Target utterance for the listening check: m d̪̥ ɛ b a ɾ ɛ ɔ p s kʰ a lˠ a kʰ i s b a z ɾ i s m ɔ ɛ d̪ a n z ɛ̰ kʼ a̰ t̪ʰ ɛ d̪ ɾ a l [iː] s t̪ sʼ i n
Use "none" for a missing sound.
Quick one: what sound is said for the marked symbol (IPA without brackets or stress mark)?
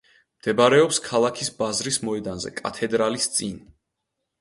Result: i